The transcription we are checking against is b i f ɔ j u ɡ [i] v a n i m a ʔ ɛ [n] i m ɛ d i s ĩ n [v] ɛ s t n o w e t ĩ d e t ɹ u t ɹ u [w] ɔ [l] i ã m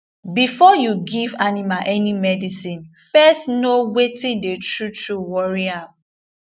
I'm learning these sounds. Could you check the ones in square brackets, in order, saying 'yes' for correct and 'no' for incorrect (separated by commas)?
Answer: yes, yes, no, yes, no